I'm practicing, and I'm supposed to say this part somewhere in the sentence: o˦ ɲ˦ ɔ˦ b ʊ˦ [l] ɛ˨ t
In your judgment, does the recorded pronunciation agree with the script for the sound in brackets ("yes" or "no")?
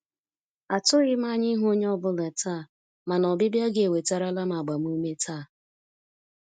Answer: yes